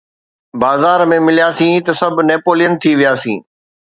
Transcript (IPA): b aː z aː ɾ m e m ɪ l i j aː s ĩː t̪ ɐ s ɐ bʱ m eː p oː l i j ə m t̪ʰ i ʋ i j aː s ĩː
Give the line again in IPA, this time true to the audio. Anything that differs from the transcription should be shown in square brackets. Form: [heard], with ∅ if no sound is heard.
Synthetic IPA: b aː z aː ɾ m [ẽ] m ɪ l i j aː s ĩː t̪ ɐ s ɐ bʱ [n] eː p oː l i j ə [n] t̪ʰ i ʋ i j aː s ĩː